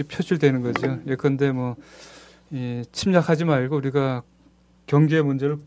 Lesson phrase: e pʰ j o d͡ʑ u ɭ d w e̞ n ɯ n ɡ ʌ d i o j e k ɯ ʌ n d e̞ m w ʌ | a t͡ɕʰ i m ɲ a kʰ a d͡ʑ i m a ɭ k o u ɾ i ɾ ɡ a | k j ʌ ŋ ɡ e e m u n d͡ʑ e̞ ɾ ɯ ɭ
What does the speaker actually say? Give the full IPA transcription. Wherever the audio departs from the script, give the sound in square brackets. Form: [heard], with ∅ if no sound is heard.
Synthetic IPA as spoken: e pʰ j o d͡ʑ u ɭ d w e̞ n ɯ n ɡ ʌ [d͡ʑ] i o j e k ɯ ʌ n d e̞ m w ʌ | [i] t͡ɕʰ i m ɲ a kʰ a d͡ʑ i m a ɭ [ɡ] o u ɾ i [∅] ɡ a | k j ʌ ŋ ɡ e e m u n d͡ʑ e̞ ɾ ɯ ɭ